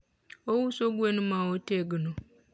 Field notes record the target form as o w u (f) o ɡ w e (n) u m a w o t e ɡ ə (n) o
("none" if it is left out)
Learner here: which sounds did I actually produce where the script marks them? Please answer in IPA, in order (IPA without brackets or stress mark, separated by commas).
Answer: s, n, n